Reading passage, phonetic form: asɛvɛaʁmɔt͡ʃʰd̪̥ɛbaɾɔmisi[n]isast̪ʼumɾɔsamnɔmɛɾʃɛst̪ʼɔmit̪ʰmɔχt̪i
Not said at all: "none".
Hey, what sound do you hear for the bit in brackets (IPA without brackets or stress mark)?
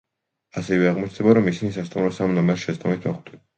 n